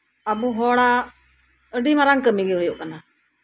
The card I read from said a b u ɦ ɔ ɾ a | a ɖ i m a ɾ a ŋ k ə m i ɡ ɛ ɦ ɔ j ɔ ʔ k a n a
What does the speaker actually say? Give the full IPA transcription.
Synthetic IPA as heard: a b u ɦ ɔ ɽ a | ə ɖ i m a ɾ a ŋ k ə m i ɡ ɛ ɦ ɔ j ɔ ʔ k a n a